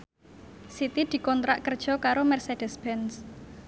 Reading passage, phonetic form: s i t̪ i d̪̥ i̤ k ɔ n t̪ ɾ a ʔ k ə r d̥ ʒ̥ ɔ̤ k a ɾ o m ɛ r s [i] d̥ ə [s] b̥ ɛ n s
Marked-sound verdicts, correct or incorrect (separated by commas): incorrect, correct